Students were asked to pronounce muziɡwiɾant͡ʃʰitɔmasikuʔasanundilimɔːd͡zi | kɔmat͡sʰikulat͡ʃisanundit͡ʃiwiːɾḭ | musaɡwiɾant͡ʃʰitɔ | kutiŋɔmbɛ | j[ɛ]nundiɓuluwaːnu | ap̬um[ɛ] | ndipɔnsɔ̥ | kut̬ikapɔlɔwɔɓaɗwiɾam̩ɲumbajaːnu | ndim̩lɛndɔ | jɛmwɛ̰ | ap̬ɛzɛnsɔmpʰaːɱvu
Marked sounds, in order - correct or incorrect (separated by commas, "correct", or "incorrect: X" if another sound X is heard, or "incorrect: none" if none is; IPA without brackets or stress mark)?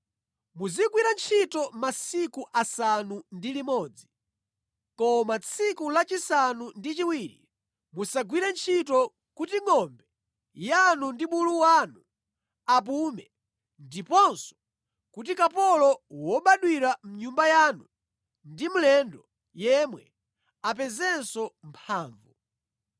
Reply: incorrect: a, correct